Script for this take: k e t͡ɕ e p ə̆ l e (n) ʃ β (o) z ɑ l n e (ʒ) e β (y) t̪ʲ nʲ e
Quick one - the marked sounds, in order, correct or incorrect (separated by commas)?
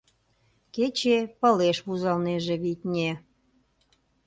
incorrect, incorrect, correct, incorrect